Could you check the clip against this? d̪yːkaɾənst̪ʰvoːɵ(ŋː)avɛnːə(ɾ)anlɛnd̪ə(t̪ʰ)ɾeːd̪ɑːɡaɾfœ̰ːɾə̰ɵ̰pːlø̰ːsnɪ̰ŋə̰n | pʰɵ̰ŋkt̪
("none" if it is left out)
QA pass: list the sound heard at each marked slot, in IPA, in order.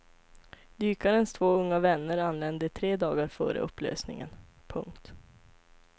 ŋː, ɾ, t̪ʰ

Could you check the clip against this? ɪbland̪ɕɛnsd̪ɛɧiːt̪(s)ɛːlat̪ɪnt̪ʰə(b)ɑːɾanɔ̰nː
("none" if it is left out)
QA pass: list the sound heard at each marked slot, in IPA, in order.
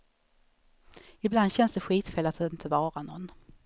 f, v

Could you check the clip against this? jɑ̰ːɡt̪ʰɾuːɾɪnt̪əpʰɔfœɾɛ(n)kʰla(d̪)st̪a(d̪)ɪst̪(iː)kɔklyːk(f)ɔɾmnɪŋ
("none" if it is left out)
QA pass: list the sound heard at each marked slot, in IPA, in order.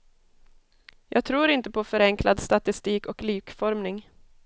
ŋ, d̪, t̪, iː, f

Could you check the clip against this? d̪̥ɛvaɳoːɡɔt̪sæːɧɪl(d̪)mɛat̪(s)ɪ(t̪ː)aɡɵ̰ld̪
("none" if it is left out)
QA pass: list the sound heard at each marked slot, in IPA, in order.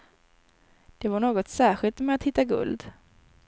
t̪, h, t̪ː

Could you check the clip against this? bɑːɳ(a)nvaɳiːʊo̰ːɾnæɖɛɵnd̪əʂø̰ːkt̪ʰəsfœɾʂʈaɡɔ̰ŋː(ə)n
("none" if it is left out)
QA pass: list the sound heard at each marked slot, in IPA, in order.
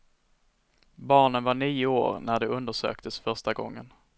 ə, ə

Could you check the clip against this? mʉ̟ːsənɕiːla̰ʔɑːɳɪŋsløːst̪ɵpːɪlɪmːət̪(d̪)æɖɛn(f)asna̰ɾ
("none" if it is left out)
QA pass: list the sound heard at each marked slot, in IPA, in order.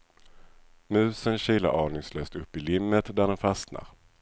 d̪, f

